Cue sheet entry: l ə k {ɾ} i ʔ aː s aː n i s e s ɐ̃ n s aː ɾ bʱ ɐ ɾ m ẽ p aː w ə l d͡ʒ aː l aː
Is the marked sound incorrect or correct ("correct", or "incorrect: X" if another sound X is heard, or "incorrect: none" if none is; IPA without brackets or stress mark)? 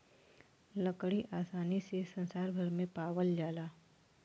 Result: incorrect: ɽ